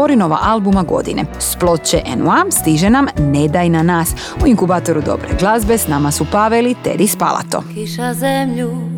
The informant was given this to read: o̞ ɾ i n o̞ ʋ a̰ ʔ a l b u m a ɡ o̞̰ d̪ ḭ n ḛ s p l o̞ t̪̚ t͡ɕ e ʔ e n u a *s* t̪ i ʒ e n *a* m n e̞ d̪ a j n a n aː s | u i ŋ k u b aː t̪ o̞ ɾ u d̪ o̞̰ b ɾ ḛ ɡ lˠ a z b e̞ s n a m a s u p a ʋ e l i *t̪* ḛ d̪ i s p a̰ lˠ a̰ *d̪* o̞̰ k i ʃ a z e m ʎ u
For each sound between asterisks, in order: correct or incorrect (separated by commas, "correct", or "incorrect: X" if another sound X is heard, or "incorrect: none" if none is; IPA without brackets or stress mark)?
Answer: correct, correct, correct, incorrect: t̪